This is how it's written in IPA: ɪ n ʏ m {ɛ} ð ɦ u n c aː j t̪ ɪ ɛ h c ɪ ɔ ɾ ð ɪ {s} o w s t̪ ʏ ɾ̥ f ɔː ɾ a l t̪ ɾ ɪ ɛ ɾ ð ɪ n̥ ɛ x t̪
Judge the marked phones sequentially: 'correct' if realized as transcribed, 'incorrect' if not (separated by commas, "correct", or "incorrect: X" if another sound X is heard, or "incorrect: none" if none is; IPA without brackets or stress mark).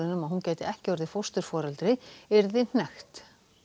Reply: incorrect: a, incorrect: f